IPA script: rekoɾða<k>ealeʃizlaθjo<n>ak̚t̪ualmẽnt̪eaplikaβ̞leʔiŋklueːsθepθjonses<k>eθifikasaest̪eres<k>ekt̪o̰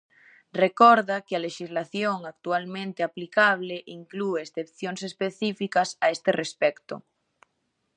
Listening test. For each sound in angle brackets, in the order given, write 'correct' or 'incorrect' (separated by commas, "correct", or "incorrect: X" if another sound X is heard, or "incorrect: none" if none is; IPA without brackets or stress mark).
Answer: correct, incorrect: ŋ, incorrect: p, incorrect: p